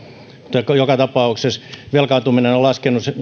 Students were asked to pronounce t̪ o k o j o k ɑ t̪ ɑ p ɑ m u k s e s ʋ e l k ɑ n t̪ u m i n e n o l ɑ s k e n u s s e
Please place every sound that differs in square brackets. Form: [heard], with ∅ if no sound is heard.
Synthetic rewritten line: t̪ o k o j o k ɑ t̪ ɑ p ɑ [∅] u k s e s ʋ e l k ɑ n t̪ u m i n e n o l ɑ s k e n u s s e